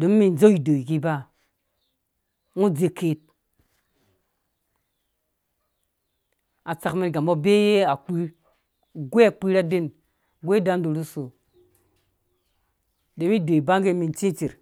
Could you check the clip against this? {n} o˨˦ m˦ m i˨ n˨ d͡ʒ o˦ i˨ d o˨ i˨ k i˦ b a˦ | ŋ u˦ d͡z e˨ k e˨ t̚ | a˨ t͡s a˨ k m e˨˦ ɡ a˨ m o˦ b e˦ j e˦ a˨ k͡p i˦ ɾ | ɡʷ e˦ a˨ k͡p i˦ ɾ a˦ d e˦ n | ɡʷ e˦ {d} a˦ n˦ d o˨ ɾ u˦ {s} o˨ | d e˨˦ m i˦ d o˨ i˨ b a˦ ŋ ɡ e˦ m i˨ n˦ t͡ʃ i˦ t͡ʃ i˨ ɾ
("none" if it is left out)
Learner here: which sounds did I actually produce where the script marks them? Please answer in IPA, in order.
d, d, s

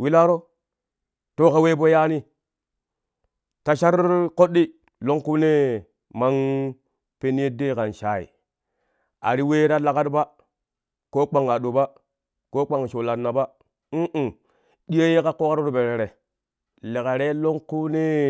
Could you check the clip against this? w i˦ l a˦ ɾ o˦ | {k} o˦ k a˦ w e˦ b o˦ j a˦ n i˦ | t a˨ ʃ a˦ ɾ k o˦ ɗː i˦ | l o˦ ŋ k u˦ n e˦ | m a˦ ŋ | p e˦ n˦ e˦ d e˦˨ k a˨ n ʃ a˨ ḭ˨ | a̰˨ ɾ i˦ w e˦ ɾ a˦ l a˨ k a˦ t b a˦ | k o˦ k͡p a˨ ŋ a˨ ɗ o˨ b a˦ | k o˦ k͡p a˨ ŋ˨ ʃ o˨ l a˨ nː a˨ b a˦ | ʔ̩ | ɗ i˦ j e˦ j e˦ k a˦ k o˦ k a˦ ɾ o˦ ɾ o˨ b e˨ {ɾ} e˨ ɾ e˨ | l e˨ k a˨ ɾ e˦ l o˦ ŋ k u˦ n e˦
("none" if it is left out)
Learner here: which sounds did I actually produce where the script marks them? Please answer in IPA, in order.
t, ɾ

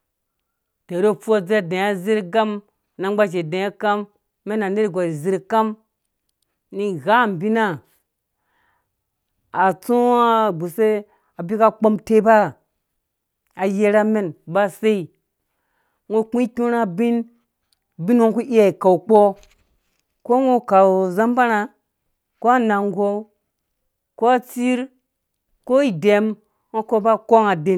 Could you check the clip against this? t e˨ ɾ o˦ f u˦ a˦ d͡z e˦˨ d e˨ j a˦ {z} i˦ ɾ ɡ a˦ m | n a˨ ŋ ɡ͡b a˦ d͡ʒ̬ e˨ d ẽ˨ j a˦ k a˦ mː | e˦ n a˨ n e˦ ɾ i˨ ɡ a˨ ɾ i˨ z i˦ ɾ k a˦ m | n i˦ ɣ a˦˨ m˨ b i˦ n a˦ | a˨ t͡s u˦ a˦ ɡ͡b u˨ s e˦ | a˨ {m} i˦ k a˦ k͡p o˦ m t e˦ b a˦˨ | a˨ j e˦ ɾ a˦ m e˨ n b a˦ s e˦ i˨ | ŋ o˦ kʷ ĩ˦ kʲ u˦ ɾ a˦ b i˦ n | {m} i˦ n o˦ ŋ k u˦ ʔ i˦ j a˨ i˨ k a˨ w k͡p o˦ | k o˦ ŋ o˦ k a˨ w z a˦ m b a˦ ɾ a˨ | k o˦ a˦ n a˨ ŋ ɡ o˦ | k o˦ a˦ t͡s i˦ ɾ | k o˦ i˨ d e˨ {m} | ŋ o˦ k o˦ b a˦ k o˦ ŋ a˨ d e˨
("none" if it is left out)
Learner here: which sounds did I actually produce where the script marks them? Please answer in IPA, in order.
z, b, b, m

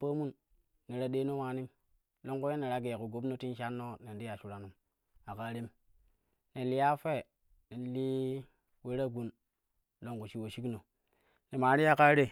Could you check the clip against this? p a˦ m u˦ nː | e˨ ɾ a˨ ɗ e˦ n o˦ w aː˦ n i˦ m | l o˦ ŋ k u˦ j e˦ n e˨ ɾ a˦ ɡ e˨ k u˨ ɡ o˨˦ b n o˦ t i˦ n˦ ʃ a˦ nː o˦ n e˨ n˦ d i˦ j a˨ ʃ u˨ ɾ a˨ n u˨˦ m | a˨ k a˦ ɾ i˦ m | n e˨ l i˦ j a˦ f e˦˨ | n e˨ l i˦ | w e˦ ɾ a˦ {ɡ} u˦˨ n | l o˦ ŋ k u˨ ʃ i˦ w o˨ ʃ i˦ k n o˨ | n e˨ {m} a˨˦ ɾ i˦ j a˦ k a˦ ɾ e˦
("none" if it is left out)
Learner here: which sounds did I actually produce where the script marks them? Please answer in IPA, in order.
ɡ, m

